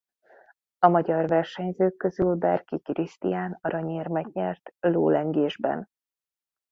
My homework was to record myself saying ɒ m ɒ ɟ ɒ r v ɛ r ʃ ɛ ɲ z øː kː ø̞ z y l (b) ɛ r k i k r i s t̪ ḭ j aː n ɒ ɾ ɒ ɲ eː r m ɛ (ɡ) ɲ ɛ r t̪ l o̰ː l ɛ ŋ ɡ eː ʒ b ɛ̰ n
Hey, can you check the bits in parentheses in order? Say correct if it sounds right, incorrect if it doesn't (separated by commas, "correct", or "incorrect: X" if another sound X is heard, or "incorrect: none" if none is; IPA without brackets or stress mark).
correct, correct